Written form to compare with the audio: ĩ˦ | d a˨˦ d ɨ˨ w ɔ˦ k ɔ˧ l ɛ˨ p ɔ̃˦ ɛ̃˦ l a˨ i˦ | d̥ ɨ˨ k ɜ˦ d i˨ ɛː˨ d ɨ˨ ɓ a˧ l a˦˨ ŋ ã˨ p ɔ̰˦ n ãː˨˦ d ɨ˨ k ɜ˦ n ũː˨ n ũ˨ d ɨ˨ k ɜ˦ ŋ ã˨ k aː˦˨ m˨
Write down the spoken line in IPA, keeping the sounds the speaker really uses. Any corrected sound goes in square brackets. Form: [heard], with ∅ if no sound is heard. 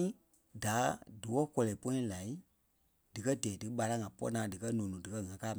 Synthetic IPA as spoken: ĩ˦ | d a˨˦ d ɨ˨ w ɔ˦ k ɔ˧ l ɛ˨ p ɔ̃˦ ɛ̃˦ l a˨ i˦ | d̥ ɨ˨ k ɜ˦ d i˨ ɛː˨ d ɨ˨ ɓ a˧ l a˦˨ ŋ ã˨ p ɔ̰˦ n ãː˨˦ d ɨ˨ k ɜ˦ n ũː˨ n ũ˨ d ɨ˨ k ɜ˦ ŋ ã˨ k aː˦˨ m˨